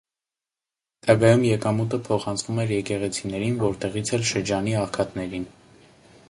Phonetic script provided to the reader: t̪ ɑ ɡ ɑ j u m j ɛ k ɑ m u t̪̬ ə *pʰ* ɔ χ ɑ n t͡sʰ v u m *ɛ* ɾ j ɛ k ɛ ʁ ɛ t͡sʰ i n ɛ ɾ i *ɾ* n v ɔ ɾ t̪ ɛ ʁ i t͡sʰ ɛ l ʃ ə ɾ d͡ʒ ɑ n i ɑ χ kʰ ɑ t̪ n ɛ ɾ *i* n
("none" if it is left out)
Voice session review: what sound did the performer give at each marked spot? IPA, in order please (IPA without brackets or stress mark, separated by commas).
pʰ, ɛ, none, i